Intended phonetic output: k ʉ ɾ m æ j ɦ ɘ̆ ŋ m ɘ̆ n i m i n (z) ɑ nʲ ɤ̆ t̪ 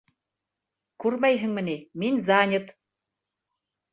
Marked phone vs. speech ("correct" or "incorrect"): correct